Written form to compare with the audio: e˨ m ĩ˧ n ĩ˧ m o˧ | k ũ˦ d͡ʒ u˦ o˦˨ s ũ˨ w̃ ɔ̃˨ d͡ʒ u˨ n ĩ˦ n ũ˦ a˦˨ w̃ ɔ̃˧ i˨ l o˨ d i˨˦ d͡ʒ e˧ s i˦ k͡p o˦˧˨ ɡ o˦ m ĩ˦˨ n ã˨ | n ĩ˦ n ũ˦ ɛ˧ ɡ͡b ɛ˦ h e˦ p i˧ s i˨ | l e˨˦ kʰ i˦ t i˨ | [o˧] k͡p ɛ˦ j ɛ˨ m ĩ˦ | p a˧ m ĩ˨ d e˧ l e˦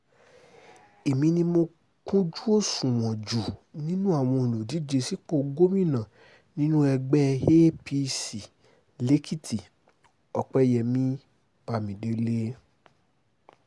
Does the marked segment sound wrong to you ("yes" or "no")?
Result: yes